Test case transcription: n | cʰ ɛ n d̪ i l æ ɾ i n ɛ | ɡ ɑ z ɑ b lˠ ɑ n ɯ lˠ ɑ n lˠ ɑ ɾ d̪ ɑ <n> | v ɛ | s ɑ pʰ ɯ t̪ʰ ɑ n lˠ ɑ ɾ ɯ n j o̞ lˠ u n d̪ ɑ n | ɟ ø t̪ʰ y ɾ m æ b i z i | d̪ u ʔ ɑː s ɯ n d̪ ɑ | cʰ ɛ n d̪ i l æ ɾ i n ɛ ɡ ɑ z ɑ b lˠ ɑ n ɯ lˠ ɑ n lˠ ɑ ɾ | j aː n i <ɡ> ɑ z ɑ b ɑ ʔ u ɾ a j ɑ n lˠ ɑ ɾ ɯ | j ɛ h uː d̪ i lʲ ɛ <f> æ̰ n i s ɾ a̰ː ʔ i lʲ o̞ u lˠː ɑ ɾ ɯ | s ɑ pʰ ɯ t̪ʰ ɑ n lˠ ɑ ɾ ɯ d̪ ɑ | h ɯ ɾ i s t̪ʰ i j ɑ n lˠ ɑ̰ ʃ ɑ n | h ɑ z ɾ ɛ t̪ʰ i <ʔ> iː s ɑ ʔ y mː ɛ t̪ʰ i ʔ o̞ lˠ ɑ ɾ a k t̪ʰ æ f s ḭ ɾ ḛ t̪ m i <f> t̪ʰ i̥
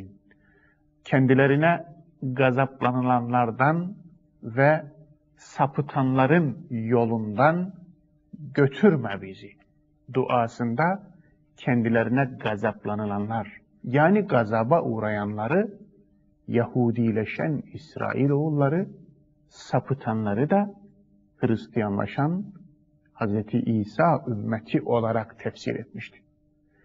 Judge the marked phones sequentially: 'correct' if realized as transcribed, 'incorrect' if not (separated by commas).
correct, correct, incorrect, correct, incorrect